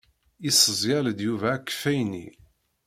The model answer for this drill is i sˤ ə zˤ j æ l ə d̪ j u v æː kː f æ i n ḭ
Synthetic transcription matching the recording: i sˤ ə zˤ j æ l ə d̪ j u v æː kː f æ j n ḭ